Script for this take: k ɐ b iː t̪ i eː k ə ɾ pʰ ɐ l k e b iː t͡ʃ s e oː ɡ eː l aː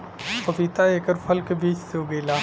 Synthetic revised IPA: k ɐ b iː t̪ a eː k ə ɾ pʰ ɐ l k e b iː t͡ʃ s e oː ɡ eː l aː